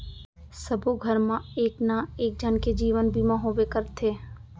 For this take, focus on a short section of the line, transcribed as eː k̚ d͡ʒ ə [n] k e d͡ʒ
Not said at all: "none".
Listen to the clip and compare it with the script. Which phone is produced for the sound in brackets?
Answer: n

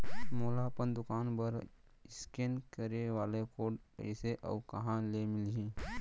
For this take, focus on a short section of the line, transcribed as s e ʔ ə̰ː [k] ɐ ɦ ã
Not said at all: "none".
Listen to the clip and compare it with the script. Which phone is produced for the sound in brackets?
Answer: k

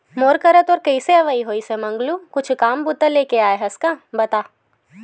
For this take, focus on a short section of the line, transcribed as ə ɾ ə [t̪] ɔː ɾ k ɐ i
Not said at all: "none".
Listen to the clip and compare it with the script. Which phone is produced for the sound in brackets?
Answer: t̪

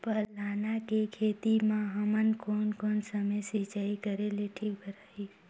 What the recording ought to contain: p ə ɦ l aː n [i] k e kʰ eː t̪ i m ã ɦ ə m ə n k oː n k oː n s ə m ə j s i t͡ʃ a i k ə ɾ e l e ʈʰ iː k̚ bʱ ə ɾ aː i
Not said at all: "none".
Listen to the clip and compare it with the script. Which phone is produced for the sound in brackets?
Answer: a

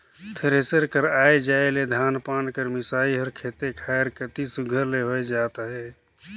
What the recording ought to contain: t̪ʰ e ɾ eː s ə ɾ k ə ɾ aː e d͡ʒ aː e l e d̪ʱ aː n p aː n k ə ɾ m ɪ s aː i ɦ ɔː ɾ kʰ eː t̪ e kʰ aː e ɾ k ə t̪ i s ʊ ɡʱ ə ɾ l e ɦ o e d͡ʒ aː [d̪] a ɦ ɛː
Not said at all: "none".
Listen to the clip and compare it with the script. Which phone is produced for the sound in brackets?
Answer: t̪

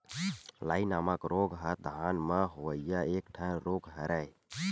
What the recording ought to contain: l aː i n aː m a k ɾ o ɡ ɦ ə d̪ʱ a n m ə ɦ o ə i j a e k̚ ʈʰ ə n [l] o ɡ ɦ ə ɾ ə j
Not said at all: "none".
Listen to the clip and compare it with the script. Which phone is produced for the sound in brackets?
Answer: ɾ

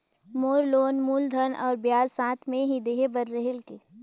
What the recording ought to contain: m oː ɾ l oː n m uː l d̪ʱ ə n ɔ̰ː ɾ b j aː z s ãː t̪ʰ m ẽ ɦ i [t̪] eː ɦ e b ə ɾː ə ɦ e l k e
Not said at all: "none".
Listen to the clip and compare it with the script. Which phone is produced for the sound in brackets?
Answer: d̪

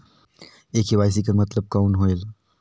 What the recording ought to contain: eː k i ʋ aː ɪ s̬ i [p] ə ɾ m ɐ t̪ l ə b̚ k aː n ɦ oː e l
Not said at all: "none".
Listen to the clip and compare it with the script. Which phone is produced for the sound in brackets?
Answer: k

